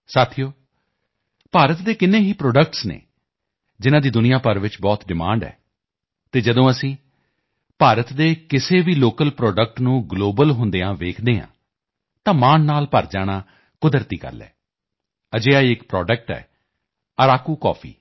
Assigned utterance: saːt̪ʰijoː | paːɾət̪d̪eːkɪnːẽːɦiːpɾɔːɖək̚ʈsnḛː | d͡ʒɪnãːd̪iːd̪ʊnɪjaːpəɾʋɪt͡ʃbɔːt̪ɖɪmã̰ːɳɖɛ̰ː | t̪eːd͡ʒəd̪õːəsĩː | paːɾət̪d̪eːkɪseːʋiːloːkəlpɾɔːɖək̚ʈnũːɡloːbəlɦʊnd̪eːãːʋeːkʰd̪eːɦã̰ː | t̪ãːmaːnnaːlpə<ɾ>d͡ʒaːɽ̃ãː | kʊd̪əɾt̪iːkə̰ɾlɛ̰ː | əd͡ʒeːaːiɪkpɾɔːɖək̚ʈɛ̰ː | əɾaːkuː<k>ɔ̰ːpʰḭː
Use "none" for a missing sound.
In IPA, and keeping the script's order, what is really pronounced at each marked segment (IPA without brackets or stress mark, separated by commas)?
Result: ɾ, k